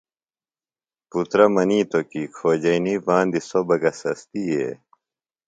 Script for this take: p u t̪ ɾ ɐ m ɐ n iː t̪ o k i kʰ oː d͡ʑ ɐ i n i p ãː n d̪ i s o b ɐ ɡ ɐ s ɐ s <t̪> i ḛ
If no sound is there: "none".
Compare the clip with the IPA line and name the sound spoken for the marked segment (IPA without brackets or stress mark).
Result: t̪